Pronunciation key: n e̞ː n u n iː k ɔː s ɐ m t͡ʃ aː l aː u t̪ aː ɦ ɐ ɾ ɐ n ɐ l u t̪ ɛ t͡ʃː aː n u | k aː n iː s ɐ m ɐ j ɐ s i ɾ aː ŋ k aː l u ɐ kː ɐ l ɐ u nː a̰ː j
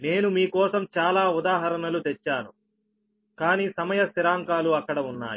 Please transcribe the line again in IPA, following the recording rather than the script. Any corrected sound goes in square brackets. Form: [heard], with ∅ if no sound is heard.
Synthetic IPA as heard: n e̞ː n u [m] iː k ɔː s ɐ m t͡ʃ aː l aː u [d̪] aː ɦ ɐ ɾ ɐ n ɐ l u t̪ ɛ t͡ʃː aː n u | k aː n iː s ɐ m ɐ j ɐ s i ɾ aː ŋ k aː l u ɐ kː ɐ [ɽ] ɐ u nː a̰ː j